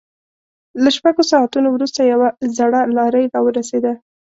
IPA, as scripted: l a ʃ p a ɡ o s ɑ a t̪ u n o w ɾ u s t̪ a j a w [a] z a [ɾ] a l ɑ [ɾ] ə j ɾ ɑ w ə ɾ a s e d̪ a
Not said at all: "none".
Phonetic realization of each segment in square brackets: a, ɽ, ɾ

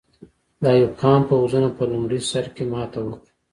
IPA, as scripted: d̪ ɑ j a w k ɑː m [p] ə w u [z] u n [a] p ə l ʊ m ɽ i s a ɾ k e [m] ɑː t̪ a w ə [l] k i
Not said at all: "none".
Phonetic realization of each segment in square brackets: p, z, a, m, none

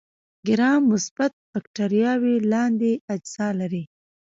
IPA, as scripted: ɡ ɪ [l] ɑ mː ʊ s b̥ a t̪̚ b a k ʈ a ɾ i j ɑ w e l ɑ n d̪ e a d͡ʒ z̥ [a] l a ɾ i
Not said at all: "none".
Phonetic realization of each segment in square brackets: ɾ, ɑ

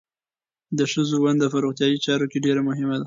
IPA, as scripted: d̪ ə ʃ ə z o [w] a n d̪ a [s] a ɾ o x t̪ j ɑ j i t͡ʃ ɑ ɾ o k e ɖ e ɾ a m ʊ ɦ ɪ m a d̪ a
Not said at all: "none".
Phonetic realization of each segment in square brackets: w, f

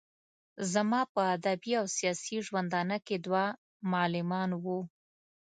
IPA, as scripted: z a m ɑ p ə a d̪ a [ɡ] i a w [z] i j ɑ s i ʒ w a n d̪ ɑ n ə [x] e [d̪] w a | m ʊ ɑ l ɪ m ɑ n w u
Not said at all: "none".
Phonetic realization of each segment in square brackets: b, s, k, d̪

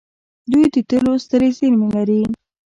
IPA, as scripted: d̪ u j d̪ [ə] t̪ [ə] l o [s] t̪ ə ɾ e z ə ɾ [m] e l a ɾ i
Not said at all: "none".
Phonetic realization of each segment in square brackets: ə, ə, s, m

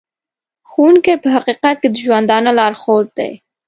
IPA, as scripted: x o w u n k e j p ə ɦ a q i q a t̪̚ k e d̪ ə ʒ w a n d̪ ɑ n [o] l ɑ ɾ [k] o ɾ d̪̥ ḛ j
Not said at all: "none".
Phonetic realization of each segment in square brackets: o, x

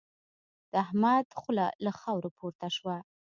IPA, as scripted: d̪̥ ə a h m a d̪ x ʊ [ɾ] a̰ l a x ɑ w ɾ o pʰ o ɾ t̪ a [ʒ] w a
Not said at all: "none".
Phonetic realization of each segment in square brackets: l, ʃ

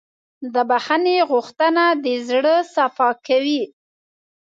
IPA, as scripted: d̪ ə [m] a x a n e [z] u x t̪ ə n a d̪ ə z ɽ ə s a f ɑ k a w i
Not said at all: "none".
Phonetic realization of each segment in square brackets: b, ɣ

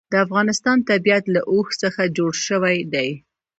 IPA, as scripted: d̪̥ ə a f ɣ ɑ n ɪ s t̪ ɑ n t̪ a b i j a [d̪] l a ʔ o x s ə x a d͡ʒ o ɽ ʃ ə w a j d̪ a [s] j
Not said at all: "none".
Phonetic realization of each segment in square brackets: t̪, none

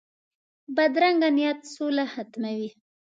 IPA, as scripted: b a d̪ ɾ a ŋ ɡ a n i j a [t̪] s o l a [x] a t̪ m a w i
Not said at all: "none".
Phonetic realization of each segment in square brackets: t̪, h

